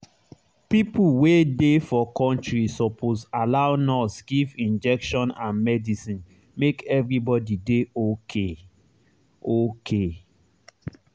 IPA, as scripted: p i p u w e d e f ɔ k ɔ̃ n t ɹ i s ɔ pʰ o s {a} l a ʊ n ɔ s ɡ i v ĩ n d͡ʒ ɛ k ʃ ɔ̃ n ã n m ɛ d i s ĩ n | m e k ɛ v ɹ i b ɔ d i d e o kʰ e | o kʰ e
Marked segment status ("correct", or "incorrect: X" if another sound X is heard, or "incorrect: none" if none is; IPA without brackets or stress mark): correct